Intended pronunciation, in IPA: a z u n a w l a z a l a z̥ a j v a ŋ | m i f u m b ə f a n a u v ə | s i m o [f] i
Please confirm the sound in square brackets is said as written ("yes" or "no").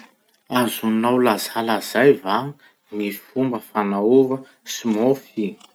yes